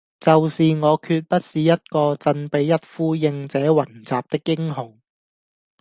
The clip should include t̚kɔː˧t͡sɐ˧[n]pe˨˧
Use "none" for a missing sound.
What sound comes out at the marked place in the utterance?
n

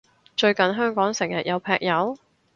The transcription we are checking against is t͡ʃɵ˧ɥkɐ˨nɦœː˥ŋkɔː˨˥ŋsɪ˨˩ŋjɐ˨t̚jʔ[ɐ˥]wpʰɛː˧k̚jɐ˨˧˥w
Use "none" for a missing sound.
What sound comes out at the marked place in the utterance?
ɐ˨˧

